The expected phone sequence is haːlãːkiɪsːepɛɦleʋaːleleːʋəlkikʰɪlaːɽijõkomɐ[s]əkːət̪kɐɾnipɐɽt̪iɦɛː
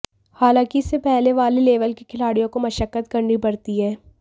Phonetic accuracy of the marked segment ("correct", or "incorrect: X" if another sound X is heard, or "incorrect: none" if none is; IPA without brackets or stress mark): incorrect: ʃ